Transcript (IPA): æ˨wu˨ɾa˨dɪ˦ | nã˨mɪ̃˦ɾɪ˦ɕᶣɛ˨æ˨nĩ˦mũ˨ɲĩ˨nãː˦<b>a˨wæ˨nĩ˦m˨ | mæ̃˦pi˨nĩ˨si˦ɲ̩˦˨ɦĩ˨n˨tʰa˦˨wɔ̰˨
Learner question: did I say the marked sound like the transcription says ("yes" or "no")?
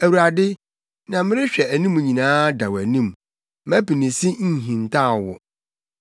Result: no